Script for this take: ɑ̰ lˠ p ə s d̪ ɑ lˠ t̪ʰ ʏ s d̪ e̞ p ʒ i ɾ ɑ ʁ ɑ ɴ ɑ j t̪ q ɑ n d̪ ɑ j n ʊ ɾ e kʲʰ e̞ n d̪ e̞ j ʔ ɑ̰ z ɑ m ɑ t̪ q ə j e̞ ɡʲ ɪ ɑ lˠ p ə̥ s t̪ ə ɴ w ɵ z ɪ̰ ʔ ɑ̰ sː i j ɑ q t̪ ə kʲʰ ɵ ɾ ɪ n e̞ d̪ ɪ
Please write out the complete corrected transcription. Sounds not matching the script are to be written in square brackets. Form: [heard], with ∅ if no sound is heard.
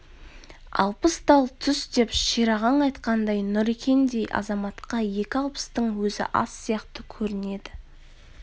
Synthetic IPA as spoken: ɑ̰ lˠ p ə s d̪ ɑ lˠ t̪ʰ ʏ s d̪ e̞ p [ʃ] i ɾ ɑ ʁ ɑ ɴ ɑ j t̪ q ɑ n d̪ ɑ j n ʊ ɾ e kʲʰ e̞ n d̪ e̞ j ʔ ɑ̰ z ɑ m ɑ t̪ q [ɑ] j e̞ [kʲ] ɪ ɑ lˠ p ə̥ s t̪ ə ɴ w ɵ z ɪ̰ ʔ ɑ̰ sː i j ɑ q t̪ ə kʲʰ ɵ ɾ ɪ n e̞ d̪ ɪ

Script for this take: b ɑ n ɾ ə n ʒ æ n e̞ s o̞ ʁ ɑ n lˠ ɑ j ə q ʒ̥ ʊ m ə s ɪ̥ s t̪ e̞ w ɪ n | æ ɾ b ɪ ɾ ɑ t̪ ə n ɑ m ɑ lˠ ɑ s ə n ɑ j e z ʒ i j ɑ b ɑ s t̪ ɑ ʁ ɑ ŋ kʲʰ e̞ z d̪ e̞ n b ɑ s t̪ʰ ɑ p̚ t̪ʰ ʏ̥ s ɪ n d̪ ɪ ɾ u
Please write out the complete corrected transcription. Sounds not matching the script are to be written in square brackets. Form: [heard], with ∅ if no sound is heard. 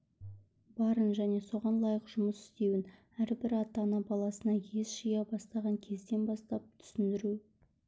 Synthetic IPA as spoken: b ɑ [∅] ɾ ə n ʒ æ n e̞ s o̞ ʁ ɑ n lˠ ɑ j ə q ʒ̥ ʊ m ə s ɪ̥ s t̪ e̞ w ɪ n | æ ɾ b ɪ ɾ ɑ t̪ [ɑ] n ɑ [b] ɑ lˠ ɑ s ə n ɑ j e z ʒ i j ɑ b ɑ s t̪ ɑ ʁ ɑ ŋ kʲʰ e̞ z d̪ e̞ n b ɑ s [t̪] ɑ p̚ t̪ʰ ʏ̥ s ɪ n d̪ ɪ ɾ u

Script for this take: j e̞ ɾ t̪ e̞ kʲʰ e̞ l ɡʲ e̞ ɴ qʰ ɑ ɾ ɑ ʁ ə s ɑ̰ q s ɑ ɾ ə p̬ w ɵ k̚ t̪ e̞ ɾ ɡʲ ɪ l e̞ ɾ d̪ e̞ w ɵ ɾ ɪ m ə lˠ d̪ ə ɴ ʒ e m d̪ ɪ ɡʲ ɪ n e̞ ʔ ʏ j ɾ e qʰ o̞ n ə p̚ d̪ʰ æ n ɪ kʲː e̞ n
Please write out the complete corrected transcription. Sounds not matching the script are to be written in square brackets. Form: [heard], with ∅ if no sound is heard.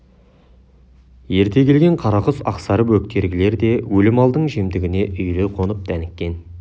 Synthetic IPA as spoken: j e̞ ɾ t̪ e̞ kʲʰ e̞ l ɡʲ e̞ ɴ qʰ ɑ ɾ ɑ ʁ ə s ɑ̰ q s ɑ ɾ ə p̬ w ɵ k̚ t̪ e̞ ɾ ɡʲ ɪ l e̞ ɾ d̪ e̞ w ɵ [l] ɪ m [ɑ] lˠ d̪ ə ɴ ʒ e m d̪ ɪ ɡʲ ɪ n e̞ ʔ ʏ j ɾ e qʰ o̞ n ə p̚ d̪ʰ æ n ɪ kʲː e̞ n

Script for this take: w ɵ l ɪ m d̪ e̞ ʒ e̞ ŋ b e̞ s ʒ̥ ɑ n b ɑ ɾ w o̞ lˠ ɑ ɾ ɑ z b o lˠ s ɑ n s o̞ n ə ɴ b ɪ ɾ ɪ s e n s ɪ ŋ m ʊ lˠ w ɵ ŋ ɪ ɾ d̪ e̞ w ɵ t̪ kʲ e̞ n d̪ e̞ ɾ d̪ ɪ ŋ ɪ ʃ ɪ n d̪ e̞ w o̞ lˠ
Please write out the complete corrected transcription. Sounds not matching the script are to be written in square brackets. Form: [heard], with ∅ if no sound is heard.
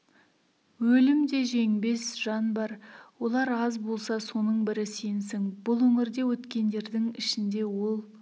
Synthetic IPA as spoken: w ɵ l ɪ m d̪ e̞ ʒ e̞ ŋ b e̞ s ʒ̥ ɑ n b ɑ ɾ w o̞ lˠ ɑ ɾ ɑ z b o lˠ s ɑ [∅] s o̞ n ə ɴ b ɪ ɾ ɪ s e n s ɪ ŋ [b] ʊ lˠ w ɵ ŋ ɪ ɾ d̪ e̞ w ɵ t̪ kʲ e̞ n d̪ e̞ ɾ d̪ ɪ ŋ ɪ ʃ ɪ n d̪ e̞ w o̞ lˠ

